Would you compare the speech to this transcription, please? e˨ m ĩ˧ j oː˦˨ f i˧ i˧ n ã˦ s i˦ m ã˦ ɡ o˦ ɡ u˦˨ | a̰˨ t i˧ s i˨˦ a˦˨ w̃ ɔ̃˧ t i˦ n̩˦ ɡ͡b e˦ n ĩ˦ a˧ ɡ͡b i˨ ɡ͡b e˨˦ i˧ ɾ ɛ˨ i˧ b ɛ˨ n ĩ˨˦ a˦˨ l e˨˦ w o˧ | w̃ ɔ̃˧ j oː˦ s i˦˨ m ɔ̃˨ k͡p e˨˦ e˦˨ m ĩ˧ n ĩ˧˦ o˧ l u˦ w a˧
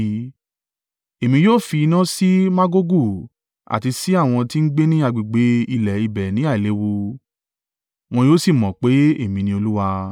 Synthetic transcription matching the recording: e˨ m ĩ˧ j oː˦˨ f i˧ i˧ n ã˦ s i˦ m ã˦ ɡ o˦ ɡ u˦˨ | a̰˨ t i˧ s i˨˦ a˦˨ w̃ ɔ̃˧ t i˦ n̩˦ ɡ͡b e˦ n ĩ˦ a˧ ɡ͡b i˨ ɡ͡b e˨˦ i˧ l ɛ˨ i˧ b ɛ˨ n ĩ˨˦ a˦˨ l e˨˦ w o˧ | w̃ ɔ̃˧ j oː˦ s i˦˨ m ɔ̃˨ k͡p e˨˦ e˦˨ m ĩ˧ n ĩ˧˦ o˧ l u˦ w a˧